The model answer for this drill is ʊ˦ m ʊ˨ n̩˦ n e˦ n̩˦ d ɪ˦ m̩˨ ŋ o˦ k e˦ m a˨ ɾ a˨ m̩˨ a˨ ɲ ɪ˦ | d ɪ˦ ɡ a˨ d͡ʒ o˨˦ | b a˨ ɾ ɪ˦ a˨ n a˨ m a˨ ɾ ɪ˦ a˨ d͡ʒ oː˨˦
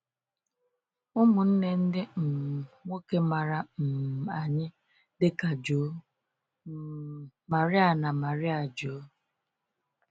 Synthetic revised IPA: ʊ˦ m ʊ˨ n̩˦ n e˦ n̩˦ d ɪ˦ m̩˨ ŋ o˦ k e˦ m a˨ ɾ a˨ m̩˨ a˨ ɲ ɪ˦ | d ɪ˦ k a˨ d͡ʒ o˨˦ | m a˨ ɾ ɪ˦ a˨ n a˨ m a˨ ɾ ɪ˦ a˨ d͡ʒ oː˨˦

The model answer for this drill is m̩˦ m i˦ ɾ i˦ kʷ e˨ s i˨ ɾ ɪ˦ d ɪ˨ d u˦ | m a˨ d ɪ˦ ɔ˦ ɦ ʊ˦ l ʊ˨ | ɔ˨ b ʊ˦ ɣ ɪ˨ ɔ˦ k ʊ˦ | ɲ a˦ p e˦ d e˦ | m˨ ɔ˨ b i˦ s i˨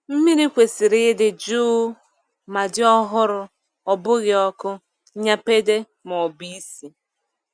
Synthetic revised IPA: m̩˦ m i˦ ɾ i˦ kʷ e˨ s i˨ ɾ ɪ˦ d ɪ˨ d͡ʒ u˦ | m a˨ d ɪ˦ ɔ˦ ɦ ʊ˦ ɾ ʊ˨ | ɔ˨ b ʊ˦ ɣ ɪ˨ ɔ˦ k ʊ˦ | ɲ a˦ p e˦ d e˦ | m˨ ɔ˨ b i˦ s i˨

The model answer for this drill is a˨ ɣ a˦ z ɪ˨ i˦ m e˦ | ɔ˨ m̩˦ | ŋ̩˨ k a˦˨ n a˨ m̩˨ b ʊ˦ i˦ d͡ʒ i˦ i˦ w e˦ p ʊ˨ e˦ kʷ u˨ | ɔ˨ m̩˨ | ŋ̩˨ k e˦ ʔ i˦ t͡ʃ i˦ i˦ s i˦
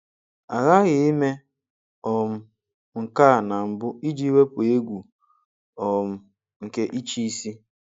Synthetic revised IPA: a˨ ɣ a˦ ɣ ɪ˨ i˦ m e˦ | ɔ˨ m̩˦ | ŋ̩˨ k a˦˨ n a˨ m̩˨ b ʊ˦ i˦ d͡ʒ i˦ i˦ w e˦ p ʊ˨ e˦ ɡʷ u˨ | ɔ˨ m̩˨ | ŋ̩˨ k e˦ ʔ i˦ t͡ʃ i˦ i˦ s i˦

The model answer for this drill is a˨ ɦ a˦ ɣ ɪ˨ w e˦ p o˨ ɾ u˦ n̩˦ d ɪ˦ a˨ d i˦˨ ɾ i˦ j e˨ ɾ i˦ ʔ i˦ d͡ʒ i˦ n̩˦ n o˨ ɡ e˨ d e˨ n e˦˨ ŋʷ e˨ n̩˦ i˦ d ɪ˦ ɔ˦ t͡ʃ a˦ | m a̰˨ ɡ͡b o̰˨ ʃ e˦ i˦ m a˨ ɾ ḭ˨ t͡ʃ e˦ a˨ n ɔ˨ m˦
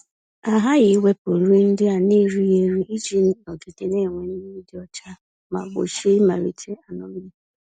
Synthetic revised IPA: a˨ ɦ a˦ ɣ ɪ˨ w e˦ p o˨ ɾ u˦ n̩˦ d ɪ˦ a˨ n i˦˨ ɾ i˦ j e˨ ɾ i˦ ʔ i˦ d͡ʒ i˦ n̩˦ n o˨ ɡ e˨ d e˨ n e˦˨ ŋʷ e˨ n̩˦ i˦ d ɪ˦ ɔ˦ t͡ʃ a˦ | m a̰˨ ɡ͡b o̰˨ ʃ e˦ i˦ m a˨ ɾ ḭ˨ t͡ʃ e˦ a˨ n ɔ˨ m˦

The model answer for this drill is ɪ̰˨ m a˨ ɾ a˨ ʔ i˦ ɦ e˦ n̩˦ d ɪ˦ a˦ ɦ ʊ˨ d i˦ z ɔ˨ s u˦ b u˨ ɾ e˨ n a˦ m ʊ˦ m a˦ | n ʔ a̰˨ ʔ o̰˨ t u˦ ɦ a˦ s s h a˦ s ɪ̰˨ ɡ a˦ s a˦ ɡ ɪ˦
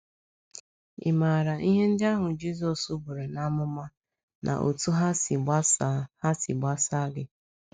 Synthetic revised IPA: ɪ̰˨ m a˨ ɾ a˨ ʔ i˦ ɦ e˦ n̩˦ d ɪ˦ a˦ ɦ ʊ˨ d͡ʒ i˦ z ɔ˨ s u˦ b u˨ ɾ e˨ n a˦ m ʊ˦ m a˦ | n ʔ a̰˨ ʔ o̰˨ t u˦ ɦ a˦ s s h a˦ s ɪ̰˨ ɡ͡b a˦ s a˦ ɡ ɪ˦

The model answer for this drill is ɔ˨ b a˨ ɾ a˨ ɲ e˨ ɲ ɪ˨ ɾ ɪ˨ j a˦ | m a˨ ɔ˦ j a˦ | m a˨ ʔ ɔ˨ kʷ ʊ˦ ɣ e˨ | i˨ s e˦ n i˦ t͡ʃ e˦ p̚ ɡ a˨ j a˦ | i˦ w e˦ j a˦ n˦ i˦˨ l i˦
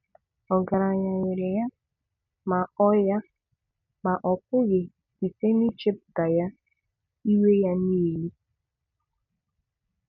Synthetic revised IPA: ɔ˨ ɡ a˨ ɾ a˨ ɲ a˨ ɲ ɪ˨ ɾ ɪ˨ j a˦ | m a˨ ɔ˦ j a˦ | m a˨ ʔ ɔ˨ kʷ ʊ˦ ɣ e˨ | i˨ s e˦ n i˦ t͡ʃ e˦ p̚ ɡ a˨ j a˦ | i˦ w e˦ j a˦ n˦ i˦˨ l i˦

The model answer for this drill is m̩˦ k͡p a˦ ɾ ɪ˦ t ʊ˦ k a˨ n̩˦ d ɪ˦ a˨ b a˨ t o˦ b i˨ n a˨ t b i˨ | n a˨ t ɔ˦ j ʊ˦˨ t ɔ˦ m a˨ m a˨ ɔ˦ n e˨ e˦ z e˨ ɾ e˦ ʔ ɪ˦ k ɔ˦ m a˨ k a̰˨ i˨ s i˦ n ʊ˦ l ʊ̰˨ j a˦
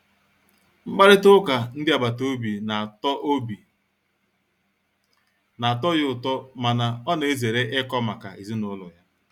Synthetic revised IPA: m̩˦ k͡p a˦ ɾ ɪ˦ t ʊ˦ k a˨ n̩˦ d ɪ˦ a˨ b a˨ t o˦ b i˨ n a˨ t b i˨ | n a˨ t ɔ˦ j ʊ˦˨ t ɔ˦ m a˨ n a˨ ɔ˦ n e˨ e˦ z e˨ ɾ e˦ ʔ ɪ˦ k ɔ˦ m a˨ k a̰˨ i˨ z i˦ n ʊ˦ l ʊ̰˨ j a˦

